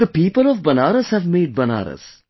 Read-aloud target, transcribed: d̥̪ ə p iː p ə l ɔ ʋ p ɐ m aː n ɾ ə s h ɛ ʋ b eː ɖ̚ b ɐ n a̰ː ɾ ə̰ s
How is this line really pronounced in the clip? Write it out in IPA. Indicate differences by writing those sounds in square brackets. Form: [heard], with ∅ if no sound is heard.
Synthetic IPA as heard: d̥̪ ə p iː p ə l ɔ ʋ [b] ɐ [n] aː [∅] ɾ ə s h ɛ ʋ [m] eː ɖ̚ b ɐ n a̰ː ɾ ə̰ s